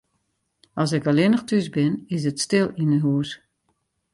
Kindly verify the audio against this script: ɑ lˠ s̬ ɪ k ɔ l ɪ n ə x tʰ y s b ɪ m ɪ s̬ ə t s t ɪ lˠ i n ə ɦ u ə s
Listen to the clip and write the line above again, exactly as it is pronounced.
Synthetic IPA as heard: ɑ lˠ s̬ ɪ k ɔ l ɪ n ə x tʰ y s b ɪ n ɪ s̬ ə t s t ɪ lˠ i n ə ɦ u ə s